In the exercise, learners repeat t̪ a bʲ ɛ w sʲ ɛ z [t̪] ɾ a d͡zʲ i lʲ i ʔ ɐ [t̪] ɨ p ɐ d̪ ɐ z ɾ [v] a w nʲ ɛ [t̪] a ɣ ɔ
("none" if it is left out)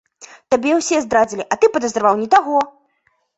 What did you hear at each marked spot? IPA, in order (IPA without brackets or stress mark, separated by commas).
d̪, t̪, v, t̪